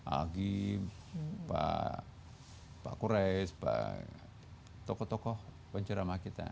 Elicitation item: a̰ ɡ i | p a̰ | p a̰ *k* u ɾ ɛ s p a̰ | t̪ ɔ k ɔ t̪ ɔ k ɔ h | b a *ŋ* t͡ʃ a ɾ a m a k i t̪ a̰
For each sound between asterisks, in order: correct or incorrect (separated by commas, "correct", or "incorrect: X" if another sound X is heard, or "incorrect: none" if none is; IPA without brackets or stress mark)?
correct, incorrect: ɲ